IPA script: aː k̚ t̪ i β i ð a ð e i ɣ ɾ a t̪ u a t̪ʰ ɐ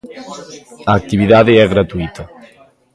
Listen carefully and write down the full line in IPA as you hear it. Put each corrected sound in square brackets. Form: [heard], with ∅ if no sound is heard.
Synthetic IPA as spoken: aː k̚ t̪ i β i ð a ð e [ɛ] ɣ ɾ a t̪ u [i] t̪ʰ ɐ